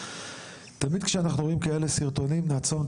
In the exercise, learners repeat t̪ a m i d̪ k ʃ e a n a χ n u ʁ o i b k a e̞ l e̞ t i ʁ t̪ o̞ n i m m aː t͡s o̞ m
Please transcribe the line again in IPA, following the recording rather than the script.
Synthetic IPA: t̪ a m i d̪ k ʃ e a n a χ n u ʁ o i m k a e̞ l e̞ s i ʁ t̪ o̞ n i m n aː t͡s o̞ m